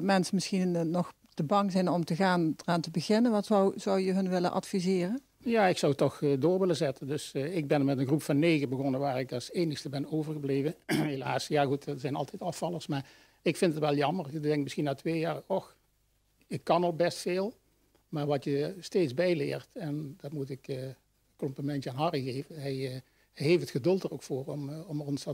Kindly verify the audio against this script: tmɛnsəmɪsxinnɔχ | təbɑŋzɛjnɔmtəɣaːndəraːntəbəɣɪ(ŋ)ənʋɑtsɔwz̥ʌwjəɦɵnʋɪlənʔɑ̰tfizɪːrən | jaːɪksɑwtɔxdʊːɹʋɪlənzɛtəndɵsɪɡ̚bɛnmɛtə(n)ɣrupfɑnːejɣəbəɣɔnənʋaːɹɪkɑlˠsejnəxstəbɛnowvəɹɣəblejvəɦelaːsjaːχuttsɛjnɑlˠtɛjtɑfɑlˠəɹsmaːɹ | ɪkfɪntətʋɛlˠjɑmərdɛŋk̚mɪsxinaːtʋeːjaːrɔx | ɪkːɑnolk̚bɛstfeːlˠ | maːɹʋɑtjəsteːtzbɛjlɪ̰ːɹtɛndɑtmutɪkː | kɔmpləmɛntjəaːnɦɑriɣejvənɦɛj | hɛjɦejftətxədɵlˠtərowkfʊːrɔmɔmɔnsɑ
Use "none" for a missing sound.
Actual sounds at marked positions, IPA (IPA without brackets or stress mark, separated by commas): n, n